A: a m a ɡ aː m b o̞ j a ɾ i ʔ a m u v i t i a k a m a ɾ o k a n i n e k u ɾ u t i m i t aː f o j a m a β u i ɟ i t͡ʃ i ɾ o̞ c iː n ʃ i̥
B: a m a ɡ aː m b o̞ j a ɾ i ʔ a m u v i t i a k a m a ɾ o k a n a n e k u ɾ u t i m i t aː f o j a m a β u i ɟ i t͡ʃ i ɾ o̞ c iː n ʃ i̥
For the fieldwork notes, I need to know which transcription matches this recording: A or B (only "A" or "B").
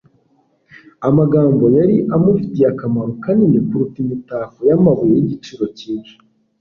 A